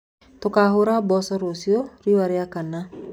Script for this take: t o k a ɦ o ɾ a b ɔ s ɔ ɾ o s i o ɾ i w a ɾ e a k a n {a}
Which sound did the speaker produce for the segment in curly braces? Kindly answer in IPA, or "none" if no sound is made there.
a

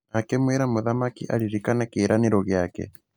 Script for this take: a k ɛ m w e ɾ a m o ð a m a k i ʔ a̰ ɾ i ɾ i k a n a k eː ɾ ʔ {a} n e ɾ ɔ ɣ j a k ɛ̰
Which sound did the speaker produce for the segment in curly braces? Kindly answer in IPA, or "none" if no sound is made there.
a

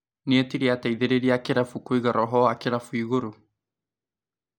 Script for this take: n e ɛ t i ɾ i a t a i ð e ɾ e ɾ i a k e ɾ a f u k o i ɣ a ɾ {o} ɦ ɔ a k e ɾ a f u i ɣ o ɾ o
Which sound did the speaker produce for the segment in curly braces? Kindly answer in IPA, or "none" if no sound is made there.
ɔ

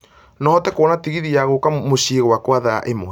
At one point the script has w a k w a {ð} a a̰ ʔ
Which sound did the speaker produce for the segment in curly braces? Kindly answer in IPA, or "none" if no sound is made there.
ð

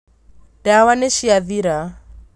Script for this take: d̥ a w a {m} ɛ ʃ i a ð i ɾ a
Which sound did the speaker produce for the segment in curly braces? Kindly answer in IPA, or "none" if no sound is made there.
n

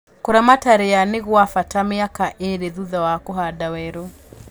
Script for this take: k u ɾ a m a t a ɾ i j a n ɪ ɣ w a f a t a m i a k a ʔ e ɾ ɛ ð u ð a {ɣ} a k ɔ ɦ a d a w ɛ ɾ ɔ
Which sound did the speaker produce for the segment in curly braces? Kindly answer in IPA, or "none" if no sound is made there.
w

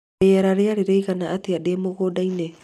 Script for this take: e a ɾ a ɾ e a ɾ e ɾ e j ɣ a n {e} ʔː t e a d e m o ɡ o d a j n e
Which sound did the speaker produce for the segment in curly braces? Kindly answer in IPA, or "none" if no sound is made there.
a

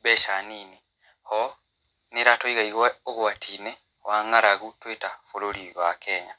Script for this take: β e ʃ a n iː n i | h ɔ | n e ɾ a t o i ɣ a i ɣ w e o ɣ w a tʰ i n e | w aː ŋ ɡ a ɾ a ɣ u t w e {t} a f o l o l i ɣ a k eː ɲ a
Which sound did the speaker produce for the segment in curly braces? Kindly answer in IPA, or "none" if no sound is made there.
t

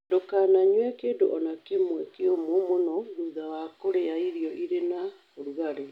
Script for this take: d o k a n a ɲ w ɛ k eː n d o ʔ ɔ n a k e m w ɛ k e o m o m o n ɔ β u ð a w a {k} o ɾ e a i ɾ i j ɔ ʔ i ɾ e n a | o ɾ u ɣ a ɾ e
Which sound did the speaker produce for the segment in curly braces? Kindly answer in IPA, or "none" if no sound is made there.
k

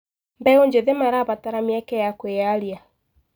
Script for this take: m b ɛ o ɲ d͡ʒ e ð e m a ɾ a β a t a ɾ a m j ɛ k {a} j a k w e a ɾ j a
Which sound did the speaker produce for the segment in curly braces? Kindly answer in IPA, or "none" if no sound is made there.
ɛ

